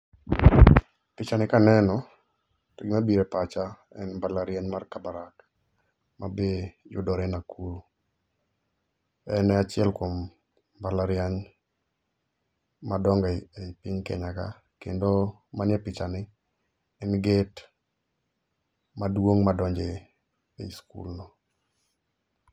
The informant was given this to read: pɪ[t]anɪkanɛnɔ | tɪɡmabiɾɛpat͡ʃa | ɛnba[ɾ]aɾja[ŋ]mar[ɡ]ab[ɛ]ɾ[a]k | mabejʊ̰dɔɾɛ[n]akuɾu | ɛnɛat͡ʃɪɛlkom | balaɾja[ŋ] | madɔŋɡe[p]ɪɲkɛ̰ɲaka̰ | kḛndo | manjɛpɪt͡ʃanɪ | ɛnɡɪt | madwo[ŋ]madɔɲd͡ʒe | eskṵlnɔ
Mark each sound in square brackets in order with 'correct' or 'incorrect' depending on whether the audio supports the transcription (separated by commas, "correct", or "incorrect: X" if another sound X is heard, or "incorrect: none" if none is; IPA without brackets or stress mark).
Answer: incorrect: t͡ʃ, incorrect: l, incorrect: ɲ, incorrect: k, incorrect: a, correct, correct, incorrect: ɲ, correct, correct